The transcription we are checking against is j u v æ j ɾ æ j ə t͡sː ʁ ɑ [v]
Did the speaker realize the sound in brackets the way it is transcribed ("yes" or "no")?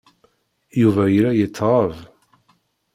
yes